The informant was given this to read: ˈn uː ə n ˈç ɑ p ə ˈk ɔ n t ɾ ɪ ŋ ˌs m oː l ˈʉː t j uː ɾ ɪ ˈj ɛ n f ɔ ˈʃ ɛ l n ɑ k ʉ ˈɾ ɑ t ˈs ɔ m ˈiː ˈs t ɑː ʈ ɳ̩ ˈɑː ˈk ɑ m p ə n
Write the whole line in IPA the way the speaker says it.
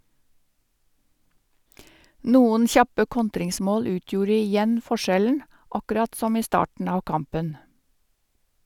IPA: ˈn uː ə n ˈç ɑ p ə ˈk ɔ n t ɾ ɪ ŋ ˌs m oː l ˈʉː t j uː ɾ ɪ ˈj ɛ n f ɔ ˈʃ ɛ l n ɑ k ʉ ˈɾ ɑ t ˈs ɔ m ˈiː ˈs t ɑː ʈ ɳ̩ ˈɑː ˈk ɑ m p ə n